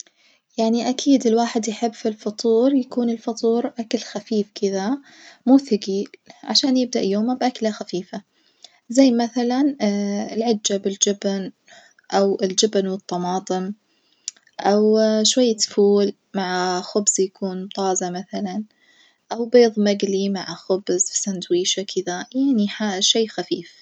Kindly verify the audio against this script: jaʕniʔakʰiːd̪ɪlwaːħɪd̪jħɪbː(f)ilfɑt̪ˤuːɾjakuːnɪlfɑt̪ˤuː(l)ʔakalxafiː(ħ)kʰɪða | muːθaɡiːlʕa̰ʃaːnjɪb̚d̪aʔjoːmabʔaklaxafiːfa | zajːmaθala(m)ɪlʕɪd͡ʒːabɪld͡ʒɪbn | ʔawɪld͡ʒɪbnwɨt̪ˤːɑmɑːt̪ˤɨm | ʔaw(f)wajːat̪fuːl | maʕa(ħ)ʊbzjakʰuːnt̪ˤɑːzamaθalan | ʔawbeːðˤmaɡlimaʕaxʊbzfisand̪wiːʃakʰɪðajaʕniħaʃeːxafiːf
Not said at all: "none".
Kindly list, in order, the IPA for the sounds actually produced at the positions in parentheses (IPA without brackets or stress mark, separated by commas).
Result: f, ɾ, f, n, ʃ, x